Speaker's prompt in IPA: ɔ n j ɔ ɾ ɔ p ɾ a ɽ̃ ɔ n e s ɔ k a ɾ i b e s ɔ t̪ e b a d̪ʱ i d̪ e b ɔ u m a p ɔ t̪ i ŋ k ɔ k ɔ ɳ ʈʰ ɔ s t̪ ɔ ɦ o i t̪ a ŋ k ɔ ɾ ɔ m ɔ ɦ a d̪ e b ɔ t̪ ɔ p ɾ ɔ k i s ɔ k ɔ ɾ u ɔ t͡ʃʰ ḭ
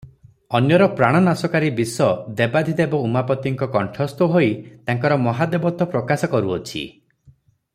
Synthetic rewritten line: ɔ n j ɔ ɾ ɔ p ɾ a ɽ̃ ɔ n a s ɔ k a ɾ i b i s ɔ d̪ e b a d̪ʱ i d̪ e b ɔ u m a p ɔ t̪ i ŋ k ɔ k ɔ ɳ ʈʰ ɔ s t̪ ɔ ɦ o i t̪ a ŋ k ɔ ɾ ɔ m ɔ ɦ a d̪ e b ɔ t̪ ɔ p ɾ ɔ k a s ɔ k ɔ ɾ u ɔ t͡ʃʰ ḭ

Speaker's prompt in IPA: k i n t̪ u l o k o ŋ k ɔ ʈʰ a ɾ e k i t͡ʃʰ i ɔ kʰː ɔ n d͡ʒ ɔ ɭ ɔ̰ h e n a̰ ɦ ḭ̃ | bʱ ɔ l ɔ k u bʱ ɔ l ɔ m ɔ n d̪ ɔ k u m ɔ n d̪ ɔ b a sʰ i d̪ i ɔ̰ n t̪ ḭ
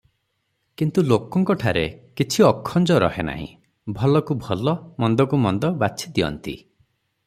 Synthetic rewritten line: k i n t̪ u l o k ɔ ŋ k ɔ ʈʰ a ɾ e k i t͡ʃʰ i ɔ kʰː ɔ n d͡ʒ ɔ ɾ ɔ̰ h e n a̰ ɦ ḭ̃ | bʱ ɔ l ɔ k u bʱ ɔ l ɔ m ɔ n d̪ ɔ k u m ɔ n d̪ ɔ b a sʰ i d̪ i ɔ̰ n t̪ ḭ

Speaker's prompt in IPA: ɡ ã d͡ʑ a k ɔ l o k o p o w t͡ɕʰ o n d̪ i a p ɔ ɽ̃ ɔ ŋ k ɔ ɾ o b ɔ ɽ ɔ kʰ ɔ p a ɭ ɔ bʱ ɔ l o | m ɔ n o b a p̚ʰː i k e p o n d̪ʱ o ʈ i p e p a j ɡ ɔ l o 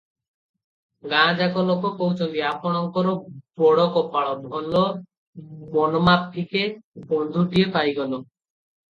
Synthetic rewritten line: ɡ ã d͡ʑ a k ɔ l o k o p o w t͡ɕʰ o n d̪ i a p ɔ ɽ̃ ɔ ŋ k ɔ ɾ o b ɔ ɽ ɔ k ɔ p a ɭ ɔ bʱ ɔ l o | m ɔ n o m a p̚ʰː i k e b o n d̪ʱ u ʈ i e p a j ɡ ɔ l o

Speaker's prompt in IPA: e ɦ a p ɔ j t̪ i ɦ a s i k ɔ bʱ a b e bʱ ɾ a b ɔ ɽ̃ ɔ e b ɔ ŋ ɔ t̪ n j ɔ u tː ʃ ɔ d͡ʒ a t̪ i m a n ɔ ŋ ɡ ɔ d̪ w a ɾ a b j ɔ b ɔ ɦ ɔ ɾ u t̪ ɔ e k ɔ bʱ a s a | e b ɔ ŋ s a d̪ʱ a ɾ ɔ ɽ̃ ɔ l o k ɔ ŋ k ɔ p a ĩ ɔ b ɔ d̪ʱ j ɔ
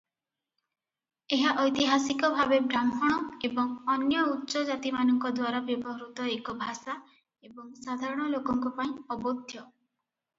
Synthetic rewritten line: e ɦ a ʔ ɔ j t̪ i ɦ a s i k ɔ bʱ a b e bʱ ɾ a m ɔ ɽ̃ ɔ e b ɔ ŋ ɔ n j ɔ u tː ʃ ɔ d͡ʒ a t̪ i m a n ɔ ŋ k ɔ d̪ w a ɾ a b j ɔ b ɔ ɦ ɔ ɾ u t̪ ɔ e k ɔ bʱ a s a | e b ɔ ŋ s a d̪ʱ a ɾ ɔ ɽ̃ ɔ l o k ɔ ŋ k ɔ p a ĩ ɔ b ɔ d̪ʱ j ɔ

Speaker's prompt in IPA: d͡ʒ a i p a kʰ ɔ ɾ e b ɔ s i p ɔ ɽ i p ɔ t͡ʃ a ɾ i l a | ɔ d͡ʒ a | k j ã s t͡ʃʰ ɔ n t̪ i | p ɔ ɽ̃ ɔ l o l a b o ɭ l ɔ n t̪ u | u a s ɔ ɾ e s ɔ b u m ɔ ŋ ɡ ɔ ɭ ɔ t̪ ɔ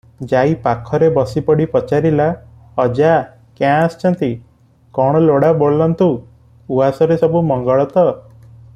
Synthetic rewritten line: d͡ʒ a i p a kʰ ɔ ɾ e b ɔ s i p ɔ ɽ i p ɔ t͡ʃ a ɾ i l a | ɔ d͡ʒ a | k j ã s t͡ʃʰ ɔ n t̪ i | k ɔ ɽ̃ ɔ l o ɽ a b o ɭ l ɔ n t̪ u | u a s ɔ ɾ e s ɔ b u m ɔ ŋ ɡ ɔ ɭ ɔ t̪ ɔ

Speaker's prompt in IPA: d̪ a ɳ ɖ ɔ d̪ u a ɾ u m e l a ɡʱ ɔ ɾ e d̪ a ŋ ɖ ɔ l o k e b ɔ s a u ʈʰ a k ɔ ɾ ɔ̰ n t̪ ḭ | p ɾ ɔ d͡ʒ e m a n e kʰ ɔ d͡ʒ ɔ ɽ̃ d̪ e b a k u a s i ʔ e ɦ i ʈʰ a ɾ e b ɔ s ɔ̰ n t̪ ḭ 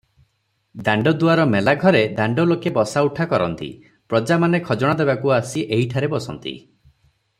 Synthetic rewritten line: d̪ a ɳ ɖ ɔ d̪ u a ɾ ɔ m e l a ɡʱ ɔ ɾ e d̪ a ɳ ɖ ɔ l o k e b ɔ s a u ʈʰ a k ɔ ɾ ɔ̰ n t̪ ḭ | p ɾ ɔ d͡ʒ a m a n e kʰ ɔ d͡ʒ ɔ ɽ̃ d̪ e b a k u a s i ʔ e ɦ i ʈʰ a ɾ e b ɔ s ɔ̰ n t̪ ḭ

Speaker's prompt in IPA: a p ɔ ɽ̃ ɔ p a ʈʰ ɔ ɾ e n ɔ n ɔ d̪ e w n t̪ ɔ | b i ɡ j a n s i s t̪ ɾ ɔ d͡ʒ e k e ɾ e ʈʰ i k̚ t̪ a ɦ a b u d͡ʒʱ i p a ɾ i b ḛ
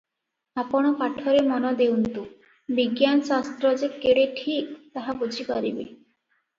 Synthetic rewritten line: a p ɔ ɽ̃ ɔ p a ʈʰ ɔ ɾ e m ɔ n ɔ d̪ e w n t̪ u | b i ɡ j a n s a s t̪ ɾ ɔ d͡ʒ e k e ɽ e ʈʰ i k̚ t̪ a ɦ a b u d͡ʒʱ i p a ɾ i b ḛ

